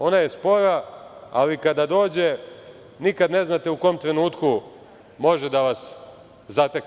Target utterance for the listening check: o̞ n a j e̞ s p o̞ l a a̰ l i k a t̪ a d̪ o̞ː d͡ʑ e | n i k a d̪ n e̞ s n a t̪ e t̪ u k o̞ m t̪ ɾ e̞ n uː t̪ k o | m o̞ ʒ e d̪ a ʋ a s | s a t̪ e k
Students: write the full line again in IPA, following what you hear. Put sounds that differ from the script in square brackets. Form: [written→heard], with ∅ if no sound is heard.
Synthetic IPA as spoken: o̞ n a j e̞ s p o̞ [l→ɾ] a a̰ l i k a [t̪→d̪] a d̪ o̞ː d͡ʑ e | n i k a d̪ n e̞ [s→z] n a t̪ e [t̪→∅] u k o̞ m t̪ ɾ e̞ n uː t̪ k [o→u] | m o̞ ʒ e d̪ a ʋ a s | [s→z] a t̪ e k

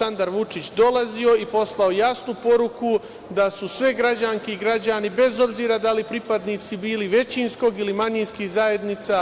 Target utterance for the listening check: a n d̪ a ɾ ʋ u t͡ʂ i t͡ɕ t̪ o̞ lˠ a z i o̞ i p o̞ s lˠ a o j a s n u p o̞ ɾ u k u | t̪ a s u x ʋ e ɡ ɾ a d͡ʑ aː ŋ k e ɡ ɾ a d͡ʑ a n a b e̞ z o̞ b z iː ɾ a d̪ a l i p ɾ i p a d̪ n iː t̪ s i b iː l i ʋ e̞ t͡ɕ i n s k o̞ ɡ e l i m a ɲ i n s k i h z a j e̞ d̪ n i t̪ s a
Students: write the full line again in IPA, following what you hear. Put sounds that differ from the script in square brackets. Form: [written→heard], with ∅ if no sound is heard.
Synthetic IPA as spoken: a n d̪ a ɾ ʋ u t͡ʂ i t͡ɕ [t̪→d̪] o̞ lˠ a z i o̞ i p o̞ s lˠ a o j a s n u p o̞ ɾ u k u | [t̪→d̪] a s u [x→s] ʋ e ɡ ɾ a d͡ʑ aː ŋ k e ɡ ɾ a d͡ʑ a n [a→i] b e̞ z o̞ b z iː ɾ a d̪ a l i p ɾ i p a d̪ n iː t̪ s i b iː l i ʋ e̞ t͡ɕ i n s k o̞ ɡ [e→i] l i m a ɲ i n s k i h z a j e̞ d̪ n i t̪ s a

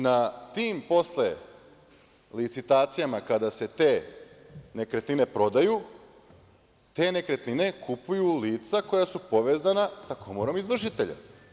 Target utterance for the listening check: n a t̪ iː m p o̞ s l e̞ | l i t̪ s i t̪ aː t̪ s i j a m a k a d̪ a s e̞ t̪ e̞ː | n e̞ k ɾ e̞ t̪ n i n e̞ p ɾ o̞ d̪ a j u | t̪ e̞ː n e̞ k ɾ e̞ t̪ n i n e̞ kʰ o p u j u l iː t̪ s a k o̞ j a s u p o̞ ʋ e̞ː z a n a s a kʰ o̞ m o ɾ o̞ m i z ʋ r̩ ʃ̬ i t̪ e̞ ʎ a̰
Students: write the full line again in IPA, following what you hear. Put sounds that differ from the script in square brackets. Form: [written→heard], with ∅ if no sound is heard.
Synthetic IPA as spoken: n a t̪ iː m p o̞ s l e̞ | l i t̪ s i t̪ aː t̪ s i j a m a k a d̪ a s e̞ t̪ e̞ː | n e̞ k ɾ e̞ t̪ n i n e̞ p ɾ o̞ d̪ a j u | t̪ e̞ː n e̞ k ɾ e̞ t̪ n i n e̞ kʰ [o→u] p u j u l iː t̪ s a k o̞ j a s u p o̞ ʋ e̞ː z a n a s a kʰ o̞ m o ɾ o̞ m i z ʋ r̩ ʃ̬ i t̪ e̞ ʎ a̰

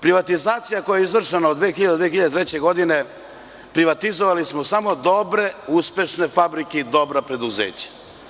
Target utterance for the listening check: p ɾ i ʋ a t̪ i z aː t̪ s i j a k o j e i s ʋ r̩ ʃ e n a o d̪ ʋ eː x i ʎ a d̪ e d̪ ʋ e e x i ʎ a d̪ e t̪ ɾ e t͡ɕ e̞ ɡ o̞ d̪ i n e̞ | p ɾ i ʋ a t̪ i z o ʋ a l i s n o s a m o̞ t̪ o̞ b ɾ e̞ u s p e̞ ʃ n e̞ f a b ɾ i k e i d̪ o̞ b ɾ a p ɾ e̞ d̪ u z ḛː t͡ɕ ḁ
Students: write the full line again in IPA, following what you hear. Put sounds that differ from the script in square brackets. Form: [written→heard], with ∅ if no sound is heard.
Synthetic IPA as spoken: p ɾ i ʋ a t̪ i z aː t̪ s i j a k o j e i [s→z] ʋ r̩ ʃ e n a o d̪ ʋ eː x i ʎ a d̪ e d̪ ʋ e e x i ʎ a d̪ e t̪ ɾ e t͡ɕ e̞ ɡ o̞ d̪ i n e̞ | p ɾ i ʋ a t̪ i z o ʋ a l i s [n→m] o s a m o̞ [t̪→d̪] o̞ b ɾ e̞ u s p e̞ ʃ n e̞ f a b ɾ i k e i d̪ o̞ b ɾ a p ɾ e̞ d̪ u z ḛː t͡ɕ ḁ

